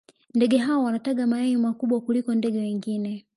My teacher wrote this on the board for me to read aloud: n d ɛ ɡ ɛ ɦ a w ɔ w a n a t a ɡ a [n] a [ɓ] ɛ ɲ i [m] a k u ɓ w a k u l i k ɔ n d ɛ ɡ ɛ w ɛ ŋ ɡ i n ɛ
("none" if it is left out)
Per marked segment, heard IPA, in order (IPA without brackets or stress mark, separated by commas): m, none, m